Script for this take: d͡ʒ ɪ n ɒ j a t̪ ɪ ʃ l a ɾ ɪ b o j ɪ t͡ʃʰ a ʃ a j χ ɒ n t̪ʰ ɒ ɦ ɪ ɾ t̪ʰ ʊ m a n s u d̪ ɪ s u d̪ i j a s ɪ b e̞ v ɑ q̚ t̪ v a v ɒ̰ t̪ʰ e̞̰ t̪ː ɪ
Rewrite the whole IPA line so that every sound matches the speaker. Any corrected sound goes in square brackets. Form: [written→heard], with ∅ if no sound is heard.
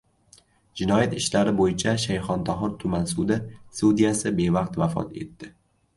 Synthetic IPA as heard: d͡ʒ ɪ n ɒ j a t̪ ɪ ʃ l a ɾ ɪ b o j ɪ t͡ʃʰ a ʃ a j χ ɒ n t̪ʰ ɒ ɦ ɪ ɾ t̪ʰ ʊ m a n s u d̪ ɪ s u d̪ i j a s ɪ b e̞ v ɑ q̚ t̪ v a [v→f] ɒ̰ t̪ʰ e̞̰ t̪ː ɪ